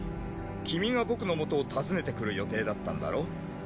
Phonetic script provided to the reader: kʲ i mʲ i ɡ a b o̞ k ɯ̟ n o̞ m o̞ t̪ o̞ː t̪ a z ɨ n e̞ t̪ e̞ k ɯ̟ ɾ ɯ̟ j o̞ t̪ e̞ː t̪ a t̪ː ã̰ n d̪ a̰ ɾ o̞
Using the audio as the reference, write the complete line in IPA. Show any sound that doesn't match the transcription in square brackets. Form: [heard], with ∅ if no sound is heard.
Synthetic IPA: kʲ i mʲ i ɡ a b o̞ k ɯ̟ n o̞ m o̞ t̪ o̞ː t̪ a z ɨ n e̞ t̪ e̞ k ɯ̟ ɾ ɯ̟ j o̞ t̪ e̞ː [d̪] a t̪ː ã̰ n d̪ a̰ ɾ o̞